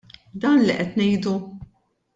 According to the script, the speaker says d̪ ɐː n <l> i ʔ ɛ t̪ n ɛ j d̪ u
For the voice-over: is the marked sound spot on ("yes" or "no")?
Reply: yes